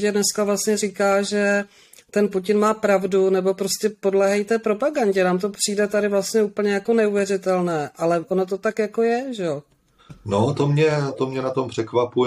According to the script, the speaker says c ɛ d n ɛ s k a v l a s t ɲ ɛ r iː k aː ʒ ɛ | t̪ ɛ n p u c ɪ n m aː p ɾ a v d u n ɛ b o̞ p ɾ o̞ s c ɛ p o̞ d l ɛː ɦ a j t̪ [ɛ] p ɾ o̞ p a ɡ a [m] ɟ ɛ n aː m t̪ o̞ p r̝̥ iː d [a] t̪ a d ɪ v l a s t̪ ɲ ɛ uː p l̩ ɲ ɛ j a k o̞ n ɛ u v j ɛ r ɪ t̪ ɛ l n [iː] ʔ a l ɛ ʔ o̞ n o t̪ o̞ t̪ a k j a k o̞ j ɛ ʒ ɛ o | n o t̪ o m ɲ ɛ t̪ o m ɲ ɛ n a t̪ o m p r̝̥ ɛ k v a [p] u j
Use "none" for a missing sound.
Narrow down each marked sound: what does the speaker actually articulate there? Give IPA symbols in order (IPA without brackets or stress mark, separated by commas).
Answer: ɛː, ɲ, ɛ, ɛː, p